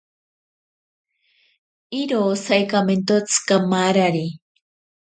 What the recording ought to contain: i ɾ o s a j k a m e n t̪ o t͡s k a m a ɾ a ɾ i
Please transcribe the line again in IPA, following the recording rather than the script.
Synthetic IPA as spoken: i ɾ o s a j k a m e n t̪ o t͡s k a m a ɾ a ɾ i

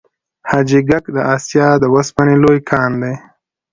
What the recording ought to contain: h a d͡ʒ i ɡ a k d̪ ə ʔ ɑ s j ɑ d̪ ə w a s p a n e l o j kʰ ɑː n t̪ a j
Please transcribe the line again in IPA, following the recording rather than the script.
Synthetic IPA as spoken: h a d͡ʒ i ɡ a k d̪ ə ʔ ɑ s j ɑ d̪ ə w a s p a n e l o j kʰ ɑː n d̪ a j

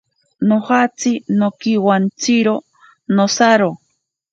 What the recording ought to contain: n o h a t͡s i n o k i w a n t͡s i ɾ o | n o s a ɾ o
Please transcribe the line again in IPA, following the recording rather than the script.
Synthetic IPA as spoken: n o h a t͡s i n o k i w a n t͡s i ɾ o | n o s a ɾ o

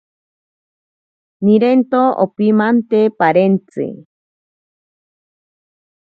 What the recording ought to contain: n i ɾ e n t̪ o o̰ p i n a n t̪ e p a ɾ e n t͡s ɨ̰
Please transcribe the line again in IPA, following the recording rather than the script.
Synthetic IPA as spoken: n i ɾ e n t̪ o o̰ p i m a n t̪ e p a ɾ e n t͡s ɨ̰

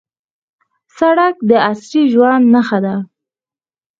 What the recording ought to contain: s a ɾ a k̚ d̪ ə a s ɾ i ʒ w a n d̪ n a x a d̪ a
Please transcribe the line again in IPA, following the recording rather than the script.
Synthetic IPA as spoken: s a ɽ a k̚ d̪ ə a s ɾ i ʒ w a n d̪ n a x a d̪ a

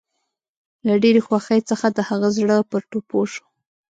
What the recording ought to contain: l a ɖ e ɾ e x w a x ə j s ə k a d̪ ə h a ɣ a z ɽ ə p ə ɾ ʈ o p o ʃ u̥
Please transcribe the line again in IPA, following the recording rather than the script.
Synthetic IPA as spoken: l a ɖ e ɾ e x w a x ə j t͡s ə x a d̪ ə h a ɣ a z ɽ ə p ə ɾ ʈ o p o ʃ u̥

